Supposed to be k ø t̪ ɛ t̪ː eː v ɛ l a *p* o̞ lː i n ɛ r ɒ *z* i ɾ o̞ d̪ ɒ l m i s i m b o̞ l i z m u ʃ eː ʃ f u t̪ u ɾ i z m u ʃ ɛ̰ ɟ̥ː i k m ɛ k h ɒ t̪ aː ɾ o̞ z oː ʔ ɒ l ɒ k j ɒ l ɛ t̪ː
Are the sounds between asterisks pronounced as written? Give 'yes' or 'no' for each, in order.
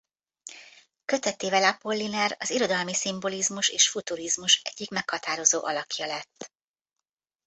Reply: yes, yes

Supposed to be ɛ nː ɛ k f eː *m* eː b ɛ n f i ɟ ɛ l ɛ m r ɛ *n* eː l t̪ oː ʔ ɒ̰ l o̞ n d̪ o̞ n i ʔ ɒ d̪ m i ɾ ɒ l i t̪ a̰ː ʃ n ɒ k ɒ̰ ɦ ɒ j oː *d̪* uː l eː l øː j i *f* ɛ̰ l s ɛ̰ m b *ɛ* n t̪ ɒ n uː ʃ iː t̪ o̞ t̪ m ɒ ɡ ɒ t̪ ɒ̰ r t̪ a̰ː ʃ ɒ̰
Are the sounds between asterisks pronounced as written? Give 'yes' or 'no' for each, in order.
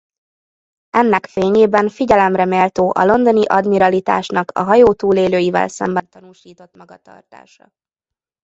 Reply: no, no, no, no, yes

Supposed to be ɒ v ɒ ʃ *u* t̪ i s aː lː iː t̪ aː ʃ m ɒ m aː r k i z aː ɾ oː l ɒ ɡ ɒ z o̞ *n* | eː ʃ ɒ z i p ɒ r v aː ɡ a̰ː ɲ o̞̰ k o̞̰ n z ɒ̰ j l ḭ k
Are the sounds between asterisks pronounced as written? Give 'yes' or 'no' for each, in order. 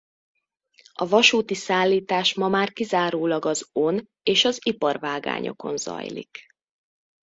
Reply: no, yes

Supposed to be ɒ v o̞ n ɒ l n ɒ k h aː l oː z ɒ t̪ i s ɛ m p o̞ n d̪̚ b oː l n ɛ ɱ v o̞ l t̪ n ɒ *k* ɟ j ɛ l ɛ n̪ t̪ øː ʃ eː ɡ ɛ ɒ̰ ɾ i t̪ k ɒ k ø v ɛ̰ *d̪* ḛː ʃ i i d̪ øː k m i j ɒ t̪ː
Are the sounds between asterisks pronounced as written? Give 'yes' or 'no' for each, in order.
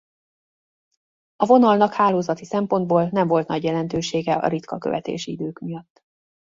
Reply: no, no

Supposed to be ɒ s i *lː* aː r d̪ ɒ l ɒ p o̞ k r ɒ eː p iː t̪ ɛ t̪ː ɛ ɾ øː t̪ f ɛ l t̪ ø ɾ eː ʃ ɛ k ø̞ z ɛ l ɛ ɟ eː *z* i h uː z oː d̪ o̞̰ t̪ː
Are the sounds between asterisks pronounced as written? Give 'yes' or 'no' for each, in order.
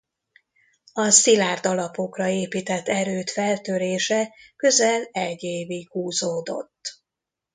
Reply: no, no

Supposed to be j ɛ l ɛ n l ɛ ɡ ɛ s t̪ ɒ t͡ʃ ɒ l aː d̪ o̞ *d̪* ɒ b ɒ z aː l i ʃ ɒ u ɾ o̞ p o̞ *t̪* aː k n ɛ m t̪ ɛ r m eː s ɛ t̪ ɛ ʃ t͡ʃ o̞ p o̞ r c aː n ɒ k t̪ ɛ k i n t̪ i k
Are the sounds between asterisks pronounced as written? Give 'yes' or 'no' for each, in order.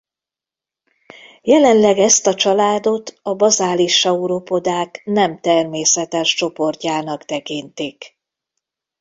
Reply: no, no

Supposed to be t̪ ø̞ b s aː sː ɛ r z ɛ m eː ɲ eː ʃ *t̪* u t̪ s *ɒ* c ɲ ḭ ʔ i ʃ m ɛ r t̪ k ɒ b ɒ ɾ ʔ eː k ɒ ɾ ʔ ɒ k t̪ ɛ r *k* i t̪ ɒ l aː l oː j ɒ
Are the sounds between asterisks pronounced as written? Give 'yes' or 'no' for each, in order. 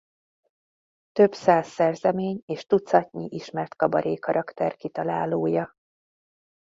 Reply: yes, yes, yes

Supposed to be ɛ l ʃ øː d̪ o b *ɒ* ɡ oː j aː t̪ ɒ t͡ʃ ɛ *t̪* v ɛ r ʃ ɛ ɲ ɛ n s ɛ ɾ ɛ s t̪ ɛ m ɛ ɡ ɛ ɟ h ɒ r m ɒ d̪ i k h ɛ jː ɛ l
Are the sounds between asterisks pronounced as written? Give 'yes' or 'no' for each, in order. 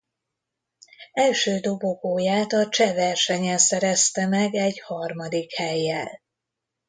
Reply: no, no

